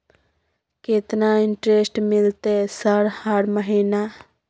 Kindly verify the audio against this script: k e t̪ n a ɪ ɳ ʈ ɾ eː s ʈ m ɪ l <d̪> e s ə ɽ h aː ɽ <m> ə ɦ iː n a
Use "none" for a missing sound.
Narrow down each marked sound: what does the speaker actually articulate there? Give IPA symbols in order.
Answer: t̪, m

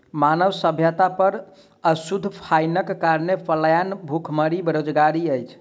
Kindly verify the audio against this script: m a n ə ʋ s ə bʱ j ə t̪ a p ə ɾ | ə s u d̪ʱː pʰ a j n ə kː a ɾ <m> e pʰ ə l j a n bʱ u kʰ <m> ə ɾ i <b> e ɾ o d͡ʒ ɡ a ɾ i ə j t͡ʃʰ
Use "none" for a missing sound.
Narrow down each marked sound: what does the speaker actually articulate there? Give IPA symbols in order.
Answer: n, m, b

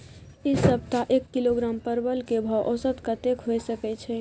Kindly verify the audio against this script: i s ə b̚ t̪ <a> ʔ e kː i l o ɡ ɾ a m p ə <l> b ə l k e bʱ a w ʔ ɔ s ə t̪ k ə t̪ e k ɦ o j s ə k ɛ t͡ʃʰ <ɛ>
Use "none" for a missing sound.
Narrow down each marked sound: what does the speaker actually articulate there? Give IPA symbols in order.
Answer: a, ɾ, ɛ

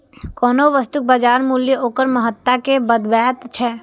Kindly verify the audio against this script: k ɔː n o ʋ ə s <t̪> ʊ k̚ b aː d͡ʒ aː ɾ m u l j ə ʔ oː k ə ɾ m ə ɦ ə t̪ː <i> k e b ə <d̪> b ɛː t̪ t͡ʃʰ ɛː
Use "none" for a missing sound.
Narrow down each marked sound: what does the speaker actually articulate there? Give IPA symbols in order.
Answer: t̪, a, d̪

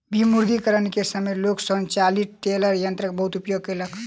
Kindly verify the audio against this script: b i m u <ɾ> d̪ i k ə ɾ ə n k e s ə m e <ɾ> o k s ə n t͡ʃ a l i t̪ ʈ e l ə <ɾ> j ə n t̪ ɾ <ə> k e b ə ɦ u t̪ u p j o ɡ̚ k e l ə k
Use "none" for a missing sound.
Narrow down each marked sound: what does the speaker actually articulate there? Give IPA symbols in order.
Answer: ɾ, l, ɾ, ə

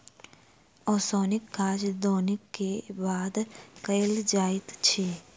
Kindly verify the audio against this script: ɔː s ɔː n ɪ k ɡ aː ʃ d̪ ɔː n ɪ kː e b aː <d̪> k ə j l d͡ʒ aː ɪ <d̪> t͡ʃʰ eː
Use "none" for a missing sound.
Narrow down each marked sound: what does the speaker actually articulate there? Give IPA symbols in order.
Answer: d̪, t̪

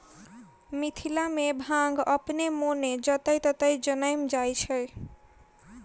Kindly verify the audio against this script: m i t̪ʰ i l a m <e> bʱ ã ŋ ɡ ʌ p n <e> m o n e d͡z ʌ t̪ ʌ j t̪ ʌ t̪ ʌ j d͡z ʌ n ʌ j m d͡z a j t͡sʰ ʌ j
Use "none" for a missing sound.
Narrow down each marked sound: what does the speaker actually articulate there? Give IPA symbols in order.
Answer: e, e

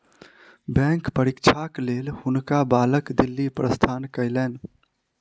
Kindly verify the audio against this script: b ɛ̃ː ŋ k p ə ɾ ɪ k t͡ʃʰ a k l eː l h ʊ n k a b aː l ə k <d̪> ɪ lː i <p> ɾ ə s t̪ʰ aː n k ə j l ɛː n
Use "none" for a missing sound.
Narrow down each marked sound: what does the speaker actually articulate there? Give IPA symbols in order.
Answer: d̪, p

